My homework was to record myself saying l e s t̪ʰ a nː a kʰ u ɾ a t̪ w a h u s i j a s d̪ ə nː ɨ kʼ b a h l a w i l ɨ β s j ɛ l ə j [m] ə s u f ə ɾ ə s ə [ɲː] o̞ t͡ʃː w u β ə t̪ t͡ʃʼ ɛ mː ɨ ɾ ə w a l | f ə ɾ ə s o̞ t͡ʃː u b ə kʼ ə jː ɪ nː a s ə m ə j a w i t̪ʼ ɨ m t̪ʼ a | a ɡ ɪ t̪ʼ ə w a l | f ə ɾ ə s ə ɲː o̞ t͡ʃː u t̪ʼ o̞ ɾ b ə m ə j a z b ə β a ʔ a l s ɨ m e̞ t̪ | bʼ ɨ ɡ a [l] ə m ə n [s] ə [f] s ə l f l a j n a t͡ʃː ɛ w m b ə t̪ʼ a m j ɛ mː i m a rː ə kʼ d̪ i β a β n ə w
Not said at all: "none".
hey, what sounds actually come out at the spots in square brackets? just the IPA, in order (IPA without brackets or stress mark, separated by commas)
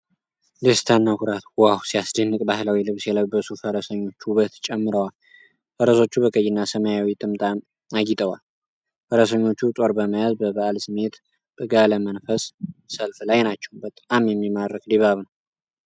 b, ɲː, l, f, s